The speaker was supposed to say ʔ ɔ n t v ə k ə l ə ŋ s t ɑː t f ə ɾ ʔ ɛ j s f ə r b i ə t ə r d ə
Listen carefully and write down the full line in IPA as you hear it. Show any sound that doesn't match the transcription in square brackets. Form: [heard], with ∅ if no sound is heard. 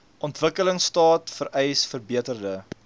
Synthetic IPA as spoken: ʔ ɔ n t v ə k ə l ə ŋ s t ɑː t f ə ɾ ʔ ɛ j s f ə r b i ə t ə r d ə